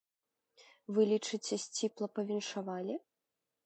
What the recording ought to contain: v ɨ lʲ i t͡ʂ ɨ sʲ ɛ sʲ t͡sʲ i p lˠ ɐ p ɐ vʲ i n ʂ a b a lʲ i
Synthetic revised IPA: v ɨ lʲ i t͡ʂ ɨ t͡sʲ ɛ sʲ t͡sʲ i p lˠ ɐ p ɐ vʲ i n ʂ a v a lʲ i